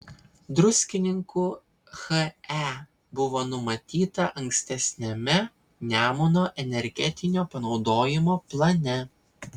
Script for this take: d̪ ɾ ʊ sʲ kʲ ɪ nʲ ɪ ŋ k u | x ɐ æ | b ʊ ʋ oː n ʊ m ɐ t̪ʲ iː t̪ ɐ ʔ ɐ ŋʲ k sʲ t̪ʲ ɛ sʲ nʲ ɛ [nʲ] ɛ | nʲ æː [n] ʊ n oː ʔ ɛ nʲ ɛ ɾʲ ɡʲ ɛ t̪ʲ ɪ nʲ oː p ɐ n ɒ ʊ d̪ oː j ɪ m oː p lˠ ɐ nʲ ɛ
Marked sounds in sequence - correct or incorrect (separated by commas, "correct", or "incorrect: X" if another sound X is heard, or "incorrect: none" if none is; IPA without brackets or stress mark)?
incorrect: mʲ, incorrect: m